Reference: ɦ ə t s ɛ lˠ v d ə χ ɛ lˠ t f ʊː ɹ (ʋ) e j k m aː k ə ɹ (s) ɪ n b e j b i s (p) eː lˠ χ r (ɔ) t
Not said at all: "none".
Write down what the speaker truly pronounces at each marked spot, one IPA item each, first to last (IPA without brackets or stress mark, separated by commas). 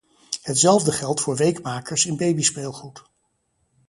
ʋ, s, p, u